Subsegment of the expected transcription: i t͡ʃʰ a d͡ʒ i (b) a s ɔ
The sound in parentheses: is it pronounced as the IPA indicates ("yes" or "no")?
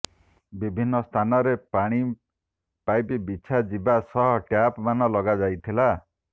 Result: yes